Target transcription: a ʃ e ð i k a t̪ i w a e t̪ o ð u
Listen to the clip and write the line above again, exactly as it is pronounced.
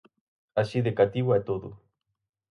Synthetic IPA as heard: a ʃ i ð e k a t̪ i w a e t̪ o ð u